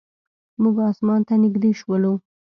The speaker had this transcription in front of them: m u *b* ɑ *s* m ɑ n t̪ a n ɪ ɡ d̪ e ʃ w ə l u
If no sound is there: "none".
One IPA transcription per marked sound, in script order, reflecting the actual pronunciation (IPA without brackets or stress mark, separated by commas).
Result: ɡ, s